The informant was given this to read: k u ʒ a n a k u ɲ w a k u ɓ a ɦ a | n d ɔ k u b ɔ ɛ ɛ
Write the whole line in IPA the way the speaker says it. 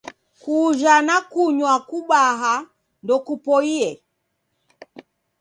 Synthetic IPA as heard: k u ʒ a n a k u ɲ w a k u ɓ a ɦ a | n d ɔ k u p ɔ i ɛ

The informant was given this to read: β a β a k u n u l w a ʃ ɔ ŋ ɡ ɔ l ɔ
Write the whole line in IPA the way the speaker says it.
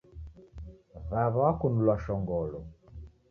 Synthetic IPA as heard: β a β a k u n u l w a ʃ ɔ ŋ ɡ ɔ l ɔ

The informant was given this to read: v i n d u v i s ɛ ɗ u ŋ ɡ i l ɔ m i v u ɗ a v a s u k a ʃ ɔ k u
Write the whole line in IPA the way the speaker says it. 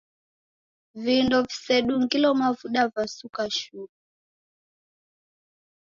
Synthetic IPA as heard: v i n d ɔ v i s ɛ ɗ u ŋ ɡ i l ɔ m a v u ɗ a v a s u k a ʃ u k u

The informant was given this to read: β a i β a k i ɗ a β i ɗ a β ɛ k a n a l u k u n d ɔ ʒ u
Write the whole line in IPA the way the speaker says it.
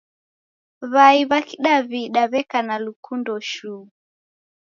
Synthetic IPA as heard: β a i β a k i ɗ a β i ɗ a β ɛ k a n a l u k u n d ɔ ʃ u

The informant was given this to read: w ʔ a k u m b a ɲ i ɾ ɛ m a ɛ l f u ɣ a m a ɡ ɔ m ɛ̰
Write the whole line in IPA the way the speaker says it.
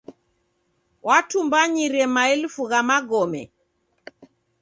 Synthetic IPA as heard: w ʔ a t u m b a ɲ i ɾ ɛ m a ɛ l f u ɣ a m a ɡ ɔ m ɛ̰

